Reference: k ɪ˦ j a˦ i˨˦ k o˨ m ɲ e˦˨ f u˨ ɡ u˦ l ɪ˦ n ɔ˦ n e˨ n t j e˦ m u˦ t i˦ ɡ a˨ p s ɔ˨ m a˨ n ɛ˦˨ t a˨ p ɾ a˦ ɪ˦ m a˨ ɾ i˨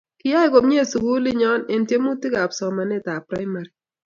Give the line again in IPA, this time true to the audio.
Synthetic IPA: k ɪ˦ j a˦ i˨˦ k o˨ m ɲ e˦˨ s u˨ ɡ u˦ l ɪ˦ ɲ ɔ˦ n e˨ n t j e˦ m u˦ t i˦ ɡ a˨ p s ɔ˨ m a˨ n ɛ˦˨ t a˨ p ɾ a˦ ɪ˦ m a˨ ɾ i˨